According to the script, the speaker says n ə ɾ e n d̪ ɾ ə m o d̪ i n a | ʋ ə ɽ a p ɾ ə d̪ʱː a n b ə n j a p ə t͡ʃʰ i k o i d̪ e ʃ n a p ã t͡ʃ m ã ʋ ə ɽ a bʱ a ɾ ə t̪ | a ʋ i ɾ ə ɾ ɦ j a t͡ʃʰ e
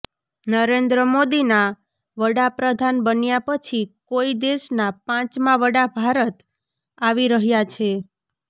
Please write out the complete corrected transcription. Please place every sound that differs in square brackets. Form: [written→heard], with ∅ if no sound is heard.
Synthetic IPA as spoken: n ə ɾ e n d̪ ɾ ə m o d̪ i n a | ʋ ə ɽ a p ɾ ə [d̪ʱː→d̪ʱ] a n b ə n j a p ə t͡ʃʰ i k o i d̪ e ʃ n a p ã t͡ʃ m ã ʋ ə ɽ a bʱ a ɾ ə t̪ | a ʋ i ɾ ə [ɾ→∅] ɦ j a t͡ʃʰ e